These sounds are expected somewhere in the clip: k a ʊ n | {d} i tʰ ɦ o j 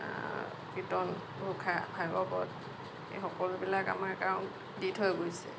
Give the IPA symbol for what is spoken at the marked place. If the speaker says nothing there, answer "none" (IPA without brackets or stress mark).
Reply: d